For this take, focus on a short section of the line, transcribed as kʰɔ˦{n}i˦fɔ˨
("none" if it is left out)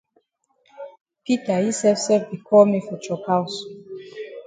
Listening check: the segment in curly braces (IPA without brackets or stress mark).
m